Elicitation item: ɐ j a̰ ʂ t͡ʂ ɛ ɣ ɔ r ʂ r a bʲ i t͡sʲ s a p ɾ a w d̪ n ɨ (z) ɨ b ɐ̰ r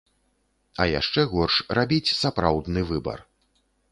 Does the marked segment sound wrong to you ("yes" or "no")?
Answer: yes